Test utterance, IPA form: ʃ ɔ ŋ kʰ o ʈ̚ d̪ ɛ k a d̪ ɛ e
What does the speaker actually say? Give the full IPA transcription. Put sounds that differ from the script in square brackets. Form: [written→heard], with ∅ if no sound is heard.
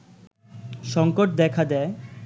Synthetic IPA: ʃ ɔ ŋ [kʰ→k] o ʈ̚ d̪ ɛ [k→kʰ] a d̪ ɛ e